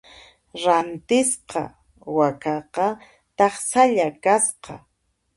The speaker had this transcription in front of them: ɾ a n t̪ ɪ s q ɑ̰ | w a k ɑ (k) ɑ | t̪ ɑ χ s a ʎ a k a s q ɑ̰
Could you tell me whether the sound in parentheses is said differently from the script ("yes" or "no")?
yes